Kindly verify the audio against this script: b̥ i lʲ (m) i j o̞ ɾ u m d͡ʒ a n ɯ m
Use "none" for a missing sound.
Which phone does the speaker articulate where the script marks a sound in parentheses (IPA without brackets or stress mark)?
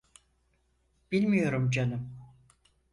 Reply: m